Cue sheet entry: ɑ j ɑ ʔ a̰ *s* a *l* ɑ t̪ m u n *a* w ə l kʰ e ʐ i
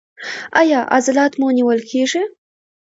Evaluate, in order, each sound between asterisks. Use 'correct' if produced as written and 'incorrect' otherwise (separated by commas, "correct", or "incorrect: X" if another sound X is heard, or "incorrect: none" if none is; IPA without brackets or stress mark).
incorrect: z, correct, incorrect: i